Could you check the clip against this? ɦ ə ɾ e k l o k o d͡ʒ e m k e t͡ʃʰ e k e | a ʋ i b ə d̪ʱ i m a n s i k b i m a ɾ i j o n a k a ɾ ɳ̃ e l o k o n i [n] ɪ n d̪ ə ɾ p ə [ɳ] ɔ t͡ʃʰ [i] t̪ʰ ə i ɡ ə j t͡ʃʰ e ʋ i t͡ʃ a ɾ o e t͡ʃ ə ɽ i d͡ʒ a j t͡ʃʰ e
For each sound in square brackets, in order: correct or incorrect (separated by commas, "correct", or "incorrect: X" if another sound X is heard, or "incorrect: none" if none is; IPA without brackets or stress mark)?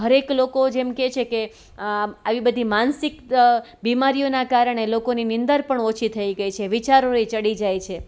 correct, correct, correct